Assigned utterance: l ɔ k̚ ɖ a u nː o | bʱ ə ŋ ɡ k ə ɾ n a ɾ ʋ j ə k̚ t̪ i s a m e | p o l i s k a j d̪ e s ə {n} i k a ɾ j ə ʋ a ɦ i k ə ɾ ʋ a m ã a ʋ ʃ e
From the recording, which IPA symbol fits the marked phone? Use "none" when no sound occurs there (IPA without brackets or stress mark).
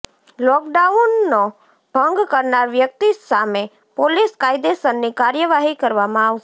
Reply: nː